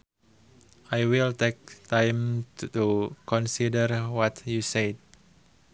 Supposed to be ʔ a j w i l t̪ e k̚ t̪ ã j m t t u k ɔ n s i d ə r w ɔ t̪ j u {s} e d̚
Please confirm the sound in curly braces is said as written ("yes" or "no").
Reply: yes